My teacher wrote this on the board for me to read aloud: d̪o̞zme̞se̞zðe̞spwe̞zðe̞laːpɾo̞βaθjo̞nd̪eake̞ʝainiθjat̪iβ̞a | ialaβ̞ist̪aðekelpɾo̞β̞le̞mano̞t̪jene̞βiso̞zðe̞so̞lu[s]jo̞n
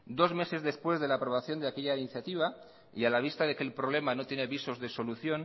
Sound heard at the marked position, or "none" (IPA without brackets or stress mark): θ